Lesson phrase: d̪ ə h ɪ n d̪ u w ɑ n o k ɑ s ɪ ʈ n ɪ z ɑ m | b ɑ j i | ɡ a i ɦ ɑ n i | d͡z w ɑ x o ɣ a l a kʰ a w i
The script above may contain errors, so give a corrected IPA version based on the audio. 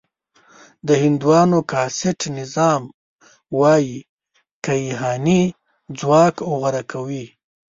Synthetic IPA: d̪ ə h ɪ n d̪ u w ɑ n o k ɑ s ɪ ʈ n ɪ z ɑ m | w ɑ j i | k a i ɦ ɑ n i | d͡z w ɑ k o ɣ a ɾ a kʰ a w i